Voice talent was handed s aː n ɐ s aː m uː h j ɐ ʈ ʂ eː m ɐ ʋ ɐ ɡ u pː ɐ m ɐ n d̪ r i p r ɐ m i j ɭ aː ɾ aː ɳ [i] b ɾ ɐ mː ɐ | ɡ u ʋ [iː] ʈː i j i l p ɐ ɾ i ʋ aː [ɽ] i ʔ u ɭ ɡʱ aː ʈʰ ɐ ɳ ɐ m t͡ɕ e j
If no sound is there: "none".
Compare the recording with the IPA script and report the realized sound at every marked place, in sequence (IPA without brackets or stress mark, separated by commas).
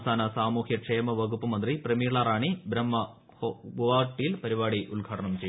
i, aː, ɽ